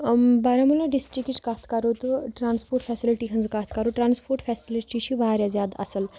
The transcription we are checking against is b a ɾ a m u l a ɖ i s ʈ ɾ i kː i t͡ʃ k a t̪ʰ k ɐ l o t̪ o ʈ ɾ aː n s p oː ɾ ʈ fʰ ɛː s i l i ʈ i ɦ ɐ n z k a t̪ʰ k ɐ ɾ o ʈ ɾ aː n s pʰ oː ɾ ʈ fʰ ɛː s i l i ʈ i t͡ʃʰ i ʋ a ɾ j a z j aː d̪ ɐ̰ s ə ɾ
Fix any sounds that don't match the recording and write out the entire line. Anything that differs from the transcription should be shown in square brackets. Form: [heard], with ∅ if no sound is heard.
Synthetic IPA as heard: b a ɾ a m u l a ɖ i s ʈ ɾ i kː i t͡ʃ k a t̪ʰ k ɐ [ɾ] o t̪ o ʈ ɾ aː n s p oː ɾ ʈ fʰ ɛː s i l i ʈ i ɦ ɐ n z k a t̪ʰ k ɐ ɾ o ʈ ɾ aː n s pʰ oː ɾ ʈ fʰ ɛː s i l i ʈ i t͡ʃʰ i ʋ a ɾ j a z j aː d̪ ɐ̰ s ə [l]